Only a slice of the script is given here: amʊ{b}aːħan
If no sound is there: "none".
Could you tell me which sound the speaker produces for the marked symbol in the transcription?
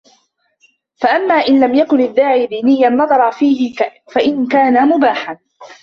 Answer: b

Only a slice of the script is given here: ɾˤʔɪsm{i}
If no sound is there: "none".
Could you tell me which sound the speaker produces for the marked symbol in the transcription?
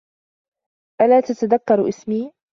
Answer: iː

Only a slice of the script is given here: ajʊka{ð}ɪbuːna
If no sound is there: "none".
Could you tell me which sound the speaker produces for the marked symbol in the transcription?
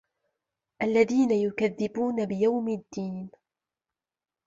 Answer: ðː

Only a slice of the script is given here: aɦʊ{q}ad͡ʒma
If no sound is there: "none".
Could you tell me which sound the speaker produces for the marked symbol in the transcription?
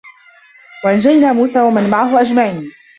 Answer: ʔ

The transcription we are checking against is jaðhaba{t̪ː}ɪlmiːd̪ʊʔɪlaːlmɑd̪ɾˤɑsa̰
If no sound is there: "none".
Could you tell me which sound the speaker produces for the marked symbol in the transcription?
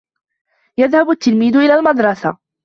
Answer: t̪ː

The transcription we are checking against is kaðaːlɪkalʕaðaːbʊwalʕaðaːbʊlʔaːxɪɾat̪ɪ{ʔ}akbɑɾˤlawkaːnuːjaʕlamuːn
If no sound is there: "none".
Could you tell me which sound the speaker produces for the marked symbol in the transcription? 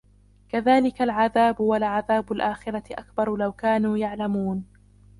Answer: ʔ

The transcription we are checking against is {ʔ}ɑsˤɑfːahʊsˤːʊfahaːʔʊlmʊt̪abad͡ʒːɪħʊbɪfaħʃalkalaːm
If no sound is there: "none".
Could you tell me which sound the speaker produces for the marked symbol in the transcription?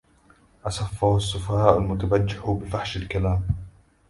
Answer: ʔ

